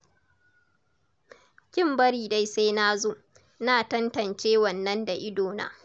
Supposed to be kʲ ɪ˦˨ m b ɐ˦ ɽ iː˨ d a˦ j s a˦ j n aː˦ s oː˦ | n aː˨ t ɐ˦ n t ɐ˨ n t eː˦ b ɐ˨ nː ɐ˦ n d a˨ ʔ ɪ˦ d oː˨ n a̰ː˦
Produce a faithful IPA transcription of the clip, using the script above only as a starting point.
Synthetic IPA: kʲ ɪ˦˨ m b ɐ˦ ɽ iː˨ d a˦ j s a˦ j n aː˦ z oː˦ | n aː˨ t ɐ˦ n t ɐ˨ n t͡ʃ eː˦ w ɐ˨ nː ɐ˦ n d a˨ ʔ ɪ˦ d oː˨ n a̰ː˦